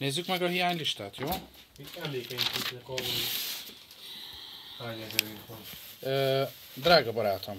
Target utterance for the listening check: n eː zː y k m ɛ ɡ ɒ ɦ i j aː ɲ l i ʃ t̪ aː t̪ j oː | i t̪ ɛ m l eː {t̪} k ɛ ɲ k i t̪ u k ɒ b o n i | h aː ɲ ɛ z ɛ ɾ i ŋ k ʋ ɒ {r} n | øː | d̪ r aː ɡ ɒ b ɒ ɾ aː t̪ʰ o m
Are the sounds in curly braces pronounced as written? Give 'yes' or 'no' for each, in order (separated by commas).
no, no